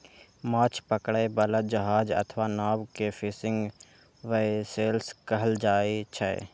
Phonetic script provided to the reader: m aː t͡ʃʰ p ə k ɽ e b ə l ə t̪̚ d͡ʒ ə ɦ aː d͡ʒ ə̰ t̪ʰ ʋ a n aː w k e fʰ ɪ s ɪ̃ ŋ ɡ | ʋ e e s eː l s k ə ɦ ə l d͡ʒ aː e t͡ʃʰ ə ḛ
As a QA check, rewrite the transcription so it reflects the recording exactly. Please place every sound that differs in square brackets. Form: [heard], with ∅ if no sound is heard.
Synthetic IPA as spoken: m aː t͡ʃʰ p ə k ɽ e b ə l ə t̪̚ d͡ʒ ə ɦ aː d͡ʒ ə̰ t̪ʰ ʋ a n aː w k e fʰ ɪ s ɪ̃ ŋ ɡ | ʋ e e s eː l s k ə ɦ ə l d͡ʒ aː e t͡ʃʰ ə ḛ